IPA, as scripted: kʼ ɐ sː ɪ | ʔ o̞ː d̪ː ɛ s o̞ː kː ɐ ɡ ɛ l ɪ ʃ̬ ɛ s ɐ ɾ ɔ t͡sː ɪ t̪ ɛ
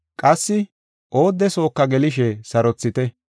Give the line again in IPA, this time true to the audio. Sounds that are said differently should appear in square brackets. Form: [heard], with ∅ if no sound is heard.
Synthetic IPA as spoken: kʼ ɐ sː ɪ | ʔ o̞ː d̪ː ɛ s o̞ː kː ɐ ɡ ɛ l ɪ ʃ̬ ɛ s ɐ ɾ ɔ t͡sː ɪ t̪ ɛ